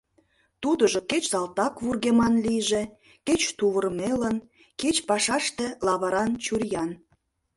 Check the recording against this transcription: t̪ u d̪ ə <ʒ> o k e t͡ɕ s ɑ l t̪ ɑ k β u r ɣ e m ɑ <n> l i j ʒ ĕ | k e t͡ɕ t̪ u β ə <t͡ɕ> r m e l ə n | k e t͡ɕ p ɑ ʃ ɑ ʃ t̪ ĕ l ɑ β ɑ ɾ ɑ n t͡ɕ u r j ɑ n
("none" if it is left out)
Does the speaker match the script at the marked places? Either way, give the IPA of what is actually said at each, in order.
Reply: ʒ, n, none

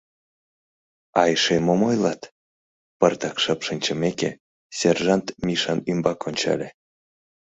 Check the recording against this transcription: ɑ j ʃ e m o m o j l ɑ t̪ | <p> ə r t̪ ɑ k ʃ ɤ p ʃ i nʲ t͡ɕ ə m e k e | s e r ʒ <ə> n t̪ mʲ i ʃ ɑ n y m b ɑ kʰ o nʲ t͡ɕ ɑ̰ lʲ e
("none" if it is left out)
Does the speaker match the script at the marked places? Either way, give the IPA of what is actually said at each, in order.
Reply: p, ɑ

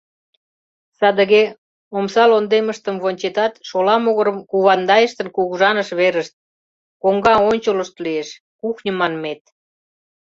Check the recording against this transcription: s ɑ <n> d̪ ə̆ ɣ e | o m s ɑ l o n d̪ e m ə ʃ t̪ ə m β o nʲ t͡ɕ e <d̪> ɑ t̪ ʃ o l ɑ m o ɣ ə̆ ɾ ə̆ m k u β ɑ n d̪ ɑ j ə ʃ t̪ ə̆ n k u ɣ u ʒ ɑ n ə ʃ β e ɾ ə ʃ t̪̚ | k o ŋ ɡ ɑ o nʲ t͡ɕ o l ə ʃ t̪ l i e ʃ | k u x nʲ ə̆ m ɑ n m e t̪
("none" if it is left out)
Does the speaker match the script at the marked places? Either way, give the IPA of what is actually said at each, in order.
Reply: none, t̪

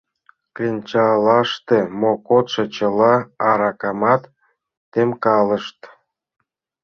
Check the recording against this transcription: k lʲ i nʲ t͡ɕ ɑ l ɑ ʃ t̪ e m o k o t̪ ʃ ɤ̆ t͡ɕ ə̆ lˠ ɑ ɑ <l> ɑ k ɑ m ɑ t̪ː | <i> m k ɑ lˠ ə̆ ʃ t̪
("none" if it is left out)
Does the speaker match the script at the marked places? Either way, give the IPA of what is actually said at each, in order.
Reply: ɾ, e

